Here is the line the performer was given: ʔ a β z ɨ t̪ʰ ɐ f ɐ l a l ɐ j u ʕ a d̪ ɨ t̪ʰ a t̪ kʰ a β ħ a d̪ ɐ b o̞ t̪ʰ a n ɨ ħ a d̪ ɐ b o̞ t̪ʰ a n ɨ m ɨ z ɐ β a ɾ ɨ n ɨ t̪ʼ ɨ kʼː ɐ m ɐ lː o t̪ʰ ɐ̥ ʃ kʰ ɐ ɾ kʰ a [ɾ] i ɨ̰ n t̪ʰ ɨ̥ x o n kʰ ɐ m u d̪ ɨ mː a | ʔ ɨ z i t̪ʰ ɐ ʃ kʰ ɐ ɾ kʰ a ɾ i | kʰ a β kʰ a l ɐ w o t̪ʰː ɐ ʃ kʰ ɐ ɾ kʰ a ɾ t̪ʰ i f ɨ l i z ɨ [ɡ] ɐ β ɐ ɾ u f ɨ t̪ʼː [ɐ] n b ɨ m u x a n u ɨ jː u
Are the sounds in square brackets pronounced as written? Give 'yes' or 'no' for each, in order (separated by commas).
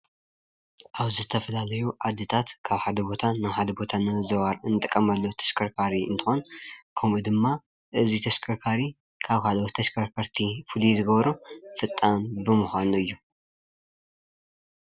yes, yes, no